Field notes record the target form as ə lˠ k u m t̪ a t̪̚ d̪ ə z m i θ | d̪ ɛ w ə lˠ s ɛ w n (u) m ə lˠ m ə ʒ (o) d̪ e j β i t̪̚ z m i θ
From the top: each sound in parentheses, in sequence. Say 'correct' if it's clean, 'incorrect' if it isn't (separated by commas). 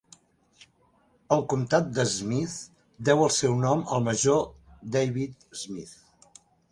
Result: incorrect, correct